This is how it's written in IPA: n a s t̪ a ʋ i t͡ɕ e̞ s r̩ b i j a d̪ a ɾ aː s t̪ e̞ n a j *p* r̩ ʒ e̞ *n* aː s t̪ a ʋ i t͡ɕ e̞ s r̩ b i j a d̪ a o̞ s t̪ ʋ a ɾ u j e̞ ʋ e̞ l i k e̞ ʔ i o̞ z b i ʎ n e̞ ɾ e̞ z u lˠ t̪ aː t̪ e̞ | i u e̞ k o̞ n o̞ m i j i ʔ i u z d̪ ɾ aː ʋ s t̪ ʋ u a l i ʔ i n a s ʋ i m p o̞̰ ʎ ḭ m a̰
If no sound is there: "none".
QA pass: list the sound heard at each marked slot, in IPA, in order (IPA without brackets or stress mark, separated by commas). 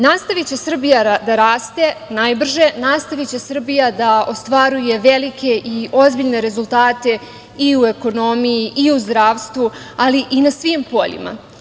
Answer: b, n